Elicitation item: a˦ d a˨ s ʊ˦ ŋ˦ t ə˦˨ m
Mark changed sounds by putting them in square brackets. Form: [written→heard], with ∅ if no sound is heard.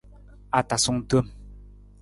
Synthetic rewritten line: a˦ [d→t] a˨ s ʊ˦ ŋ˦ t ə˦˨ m